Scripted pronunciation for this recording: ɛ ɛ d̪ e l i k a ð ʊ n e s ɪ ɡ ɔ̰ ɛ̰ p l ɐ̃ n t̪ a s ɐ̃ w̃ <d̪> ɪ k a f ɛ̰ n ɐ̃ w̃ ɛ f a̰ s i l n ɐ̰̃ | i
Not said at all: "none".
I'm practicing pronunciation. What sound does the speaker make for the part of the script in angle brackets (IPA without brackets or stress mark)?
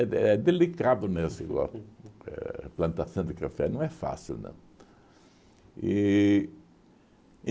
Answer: d̪